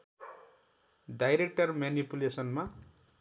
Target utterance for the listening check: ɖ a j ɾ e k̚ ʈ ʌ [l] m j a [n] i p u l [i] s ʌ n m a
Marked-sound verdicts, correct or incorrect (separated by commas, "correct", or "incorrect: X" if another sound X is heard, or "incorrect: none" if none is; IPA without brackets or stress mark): incorrect: r, correct, incorrect: e